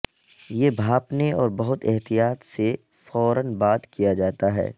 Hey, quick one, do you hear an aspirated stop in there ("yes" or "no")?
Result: no